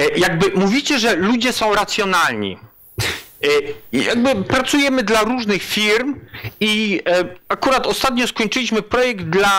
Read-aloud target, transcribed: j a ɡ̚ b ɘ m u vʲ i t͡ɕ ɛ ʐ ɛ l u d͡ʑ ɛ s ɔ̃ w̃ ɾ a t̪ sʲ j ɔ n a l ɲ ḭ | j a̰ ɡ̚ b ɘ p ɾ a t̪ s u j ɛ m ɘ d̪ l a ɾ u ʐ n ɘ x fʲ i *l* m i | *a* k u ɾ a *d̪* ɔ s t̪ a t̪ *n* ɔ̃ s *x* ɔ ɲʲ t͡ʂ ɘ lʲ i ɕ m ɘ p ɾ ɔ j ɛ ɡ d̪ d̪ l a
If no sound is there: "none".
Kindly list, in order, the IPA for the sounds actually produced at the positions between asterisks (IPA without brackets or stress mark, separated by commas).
ɾ, a, t̪, ɲ, k